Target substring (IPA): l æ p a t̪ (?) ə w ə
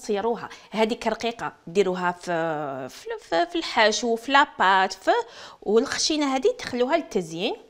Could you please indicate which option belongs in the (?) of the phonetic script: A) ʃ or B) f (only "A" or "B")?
B